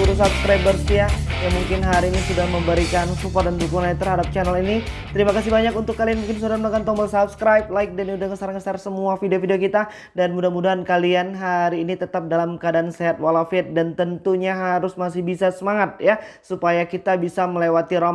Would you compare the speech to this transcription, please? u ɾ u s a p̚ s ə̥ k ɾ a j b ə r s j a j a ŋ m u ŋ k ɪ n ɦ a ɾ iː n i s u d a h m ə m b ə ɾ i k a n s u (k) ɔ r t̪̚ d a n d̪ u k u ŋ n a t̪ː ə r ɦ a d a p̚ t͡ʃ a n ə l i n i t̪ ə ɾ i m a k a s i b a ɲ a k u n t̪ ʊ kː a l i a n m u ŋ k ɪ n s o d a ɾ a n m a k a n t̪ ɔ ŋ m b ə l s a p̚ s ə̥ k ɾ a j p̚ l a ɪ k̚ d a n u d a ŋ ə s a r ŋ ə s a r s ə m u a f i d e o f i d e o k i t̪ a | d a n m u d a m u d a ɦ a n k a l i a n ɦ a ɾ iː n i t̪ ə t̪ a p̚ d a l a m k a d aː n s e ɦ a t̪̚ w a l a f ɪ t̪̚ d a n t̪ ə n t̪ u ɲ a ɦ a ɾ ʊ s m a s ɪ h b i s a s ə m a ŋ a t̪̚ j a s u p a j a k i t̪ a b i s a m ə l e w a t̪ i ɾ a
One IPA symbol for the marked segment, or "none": p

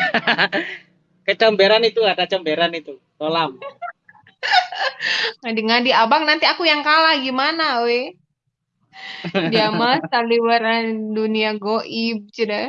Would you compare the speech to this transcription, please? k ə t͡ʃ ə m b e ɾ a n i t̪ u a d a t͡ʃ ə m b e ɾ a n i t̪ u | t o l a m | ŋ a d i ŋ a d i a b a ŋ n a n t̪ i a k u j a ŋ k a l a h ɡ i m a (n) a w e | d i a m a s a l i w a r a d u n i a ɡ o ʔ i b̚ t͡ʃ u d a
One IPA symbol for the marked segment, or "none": n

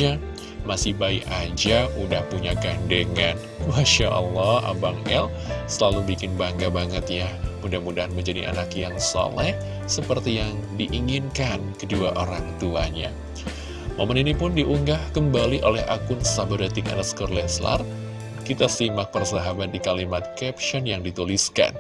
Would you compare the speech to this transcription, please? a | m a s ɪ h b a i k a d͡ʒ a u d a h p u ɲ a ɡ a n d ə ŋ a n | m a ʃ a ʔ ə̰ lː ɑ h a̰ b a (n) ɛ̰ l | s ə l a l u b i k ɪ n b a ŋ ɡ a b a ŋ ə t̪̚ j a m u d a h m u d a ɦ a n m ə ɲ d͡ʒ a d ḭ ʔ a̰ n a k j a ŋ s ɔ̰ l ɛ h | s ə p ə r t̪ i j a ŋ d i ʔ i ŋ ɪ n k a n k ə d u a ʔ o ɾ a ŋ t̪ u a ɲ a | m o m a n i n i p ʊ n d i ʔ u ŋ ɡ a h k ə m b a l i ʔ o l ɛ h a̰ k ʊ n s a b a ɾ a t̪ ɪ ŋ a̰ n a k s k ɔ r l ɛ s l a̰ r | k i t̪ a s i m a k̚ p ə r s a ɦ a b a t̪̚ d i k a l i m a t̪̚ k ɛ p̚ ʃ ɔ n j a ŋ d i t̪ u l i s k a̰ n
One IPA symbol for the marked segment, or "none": ŋ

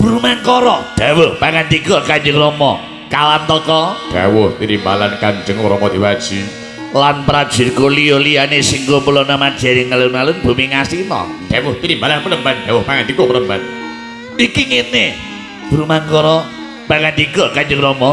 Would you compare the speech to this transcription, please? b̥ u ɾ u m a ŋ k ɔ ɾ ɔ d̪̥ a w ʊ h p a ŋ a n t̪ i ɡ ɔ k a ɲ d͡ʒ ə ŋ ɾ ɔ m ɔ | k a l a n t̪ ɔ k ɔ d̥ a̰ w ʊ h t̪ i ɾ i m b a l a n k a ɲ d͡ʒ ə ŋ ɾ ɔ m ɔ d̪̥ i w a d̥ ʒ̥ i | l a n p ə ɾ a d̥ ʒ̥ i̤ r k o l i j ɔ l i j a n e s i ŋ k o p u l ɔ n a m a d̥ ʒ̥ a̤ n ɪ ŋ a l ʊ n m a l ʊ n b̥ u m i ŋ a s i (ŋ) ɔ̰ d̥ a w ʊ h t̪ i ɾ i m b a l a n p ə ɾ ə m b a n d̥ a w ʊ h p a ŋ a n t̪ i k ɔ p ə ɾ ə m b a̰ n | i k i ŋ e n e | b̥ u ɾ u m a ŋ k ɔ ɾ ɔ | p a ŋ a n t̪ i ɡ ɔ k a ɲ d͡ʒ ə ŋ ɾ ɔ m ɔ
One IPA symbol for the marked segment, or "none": n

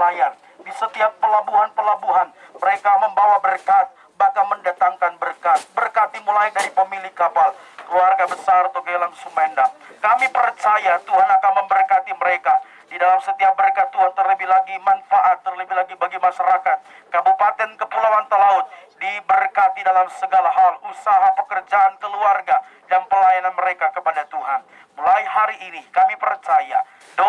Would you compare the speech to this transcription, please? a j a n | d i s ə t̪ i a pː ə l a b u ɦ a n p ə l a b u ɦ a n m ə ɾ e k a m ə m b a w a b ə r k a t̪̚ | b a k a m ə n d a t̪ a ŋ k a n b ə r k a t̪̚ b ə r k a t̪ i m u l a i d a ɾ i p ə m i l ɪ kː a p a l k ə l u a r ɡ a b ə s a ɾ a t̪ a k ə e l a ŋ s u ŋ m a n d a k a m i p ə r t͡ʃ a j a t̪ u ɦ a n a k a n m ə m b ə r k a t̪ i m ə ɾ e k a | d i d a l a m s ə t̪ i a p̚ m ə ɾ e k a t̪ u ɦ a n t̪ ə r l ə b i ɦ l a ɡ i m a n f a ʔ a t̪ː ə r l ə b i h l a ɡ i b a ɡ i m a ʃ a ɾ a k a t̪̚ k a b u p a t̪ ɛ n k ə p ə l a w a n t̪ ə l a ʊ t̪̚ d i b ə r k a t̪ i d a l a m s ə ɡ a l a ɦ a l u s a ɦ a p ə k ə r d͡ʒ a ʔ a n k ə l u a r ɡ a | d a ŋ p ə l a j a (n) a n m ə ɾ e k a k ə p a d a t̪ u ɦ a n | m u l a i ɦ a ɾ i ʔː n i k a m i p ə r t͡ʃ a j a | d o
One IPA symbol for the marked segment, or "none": n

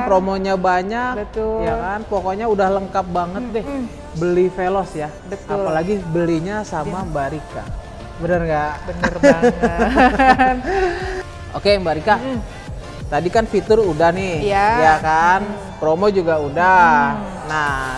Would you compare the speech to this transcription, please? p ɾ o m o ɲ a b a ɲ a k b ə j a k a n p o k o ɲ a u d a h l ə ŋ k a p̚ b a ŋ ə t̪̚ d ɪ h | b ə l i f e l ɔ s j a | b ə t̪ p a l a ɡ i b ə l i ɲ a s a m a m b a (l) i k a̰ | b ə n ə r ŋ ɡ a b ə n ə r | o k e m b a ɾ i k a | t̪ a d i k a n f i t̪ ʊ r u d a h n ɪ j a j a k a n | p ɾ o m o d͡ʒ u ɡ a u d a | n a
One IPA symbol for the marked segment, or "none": ɾ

